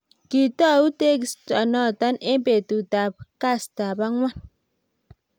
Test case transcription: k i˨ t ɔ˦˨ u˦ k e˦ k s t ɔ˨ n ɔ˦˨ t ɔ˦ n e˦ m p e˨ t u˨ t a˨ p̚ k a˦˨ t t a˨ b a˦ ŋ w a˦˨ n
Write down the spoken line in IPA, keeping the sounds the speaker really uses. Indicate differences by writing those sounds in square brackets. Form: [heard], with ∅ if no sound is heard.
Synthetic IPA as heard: k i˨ t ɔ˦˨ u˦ [t] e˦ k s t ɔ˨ n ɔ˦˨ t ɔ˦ n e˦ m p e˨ t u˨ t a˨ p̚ k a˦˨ [s] t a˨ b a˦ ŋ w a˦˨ n